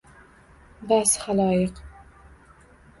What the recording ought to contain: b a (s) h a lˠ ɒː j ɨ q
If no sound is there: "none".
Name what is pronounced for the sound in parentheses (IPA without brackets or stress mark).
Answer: s